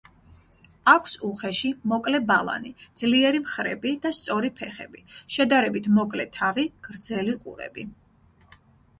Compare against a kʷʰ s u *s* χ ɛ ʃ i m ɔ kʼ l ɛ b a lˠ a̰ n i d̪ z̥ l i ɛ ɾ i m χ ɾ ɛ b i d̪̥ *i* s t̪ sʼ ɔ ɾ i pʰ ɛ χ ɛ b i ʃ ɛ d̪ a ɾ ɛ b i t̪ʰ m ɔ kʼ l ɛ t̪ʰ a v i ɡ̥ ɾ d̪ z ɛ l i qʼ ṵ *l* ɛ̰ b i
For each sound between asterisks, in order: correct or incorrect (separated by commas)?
incorrect, incorrect, incorrect